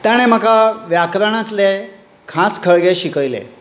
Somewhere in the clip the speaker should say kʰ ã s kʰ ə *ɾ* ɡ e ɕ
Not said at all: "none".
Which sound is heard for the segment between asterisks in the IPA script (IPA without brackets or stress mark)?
ɭ